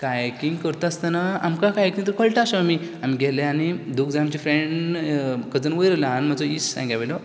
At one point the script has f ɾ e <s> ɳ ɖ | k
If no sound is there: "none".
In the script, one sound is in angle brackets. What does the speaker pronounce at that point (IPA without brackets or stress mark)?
none